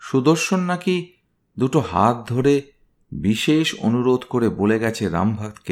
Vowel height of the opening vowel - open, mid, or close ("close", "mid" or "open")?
close